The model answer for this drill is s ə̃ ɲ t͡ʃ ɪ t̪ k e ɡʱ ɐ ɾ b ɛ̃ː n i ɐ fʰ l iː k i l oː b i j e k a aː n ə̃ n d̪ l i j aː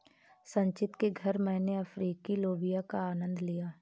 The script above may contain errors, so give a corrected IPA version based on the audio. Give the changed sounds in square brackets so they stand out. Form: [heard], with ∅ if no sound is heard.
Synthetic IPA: s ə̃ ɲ t͡ʃ ɪ t̪ k e ɡʱ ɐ ɾ [m] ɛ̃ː n [e] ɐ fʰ [ɾ] iː k i l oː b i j [a] k a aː n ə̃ n d̪ l i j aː